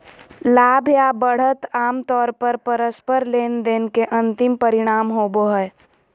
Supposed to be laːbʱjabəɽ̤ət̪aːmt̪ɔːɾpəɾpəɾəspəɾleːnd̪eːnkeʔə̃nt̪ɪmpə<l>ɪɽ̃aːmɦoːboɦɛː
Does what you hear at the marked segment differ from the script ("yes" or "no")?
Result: yes